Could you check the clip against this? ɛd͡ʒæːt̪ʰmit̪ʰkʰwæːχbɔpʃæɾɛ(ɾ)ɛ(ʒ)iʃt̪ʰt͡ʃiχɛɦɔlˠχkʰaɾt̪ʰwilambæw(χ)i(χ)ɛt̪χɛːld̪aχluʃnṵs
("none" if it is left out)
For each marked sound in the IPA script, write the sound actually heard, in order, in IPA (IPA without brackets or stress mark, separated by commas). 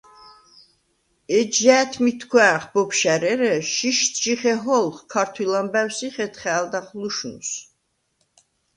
ɾ, ʃ, s, χ